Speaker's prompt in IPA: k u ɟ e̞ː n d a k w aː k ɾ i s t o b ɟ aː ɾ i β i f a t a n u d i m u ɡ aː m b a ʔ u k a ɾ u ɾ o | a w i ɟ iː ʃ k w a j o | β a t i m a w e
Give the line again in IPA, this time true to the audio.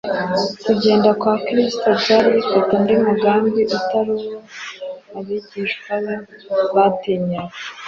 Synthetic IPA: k u ɟ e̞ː n d a k w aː k ɾ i s t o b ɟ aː ɾ i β i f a t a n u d i m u ɡ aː m b i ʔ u t a ɾ u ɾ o | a β i ɟ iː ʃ k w a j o | β a t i ɲ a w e

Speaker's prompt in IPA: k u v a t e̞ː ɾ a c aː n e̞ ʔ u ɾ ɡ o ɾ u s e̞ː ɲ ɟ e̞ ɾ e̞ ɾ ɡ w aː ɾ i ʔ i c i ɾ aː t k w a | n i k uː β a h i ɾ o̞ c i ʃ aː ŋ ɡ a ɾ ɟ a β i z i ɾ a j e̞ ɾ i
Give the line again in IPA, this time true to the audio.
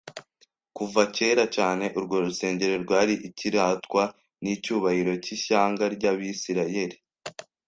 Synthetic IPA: k u v a c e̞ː ɾ a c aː n e̞ ʔ u ɾ ɡ o ɾ u s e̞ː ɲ ɟ e̞ ɾ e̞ ɾ ɡ w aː ɾ i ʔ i c i ɾ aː t k w a | n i c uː β a h i ɾ o̞ c i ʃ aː ŋ ɡ a ɾ ɟ a β i s i ɾ a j e̞ ɾ i

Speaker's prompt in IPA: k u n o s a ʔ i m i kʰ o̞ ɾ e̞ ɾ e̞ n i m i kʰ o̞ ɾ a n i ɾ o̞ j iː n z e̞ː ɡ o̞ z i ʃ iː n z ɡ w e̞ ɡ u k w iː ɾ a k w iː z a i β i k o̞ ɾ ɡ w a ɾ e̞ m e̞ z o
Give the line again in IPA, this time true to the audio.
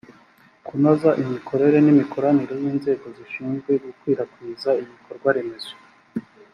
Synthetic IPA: k u n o z a ʔ i m i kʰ o̞ ɾ e̞ ɾ e̞ n i m i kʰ o̞ ɾ a n i ɾ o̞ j iː n z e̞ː ɡ o̞ z i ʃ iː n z ɡ w e̞ ɡ u k w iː ɾ a k w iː z a i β i k o̞ ɾ ɡ w a ɾ e̞ m e̞ z o

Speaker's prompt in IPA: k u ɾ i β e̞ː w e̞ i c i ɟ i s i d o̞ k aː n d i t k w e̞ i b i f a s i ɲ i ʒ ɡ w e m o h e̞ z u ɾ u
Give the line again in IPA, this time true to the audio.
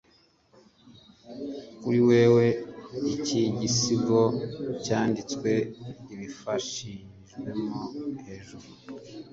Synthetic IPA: k u ɾ i w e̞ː w e̞ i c i ɟ i s i ɡ o̞ c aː n d i t͡s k w e̞ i β i f a ʃ i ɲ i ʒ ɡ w e m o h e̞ ʒ u ɾ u

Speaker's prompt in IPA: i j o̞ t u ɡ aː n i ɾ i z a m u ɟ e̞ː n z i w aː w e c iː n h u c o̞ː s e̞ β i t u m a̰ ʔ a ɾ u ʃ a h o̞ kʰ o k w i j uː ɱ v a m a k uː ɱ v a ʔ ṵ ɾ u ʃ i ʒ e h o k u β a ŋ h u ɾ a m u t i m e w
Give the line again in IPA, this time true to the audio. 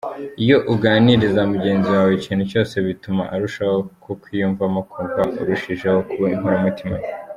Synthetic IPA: i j o̞ ʔ u ɡ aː n i ɾ i z a m u ɟ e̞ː n z i w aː w e c iː n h u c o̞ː s e̞ β i t u m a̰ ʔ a ɾ u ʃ a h o̞ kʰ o k w i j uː ɱ v a m a k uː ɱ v a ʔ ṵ ɾ u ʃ i ʒ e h o k u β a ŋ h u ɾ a m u t i m a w

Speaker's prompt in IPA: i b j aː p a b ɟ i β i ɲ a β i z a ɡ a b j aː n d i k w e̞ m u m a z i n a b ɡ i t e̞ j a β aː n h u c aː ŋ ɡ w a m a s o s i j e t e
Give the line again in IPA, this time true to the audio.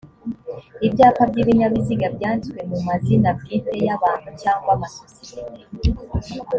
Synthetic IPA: i b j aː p a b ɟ i β i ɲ a β i z i ɡ a b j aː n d i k w e̞ m u m a z i n a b ɡ i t e̞ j a β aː n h u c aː ŋ ɡ w a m a s o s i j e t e

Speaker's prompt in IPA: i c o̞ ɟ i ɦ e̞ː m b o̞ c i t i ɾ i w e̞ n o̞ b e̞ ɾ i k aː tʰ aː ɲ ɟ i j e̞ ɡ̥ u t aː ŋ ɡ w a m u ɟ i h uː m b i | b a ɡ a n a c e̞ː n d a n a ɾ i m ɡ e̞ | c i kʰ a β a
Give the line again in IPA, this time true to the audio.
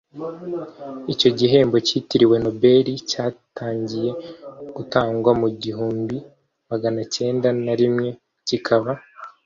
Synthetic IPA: i c o̞ ɟ i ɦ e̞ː m b o̞ c i t i ɾ i w e̞ n o̞ b e̞ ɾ i c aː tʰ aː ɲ ɟ i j e̞ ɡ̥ u t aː ŋ ɡ w a m u ɟ i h uː m b i | m a ɡ a n a c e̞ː n d a n a ɾ i m ŋ e̞ | c i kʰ a β a

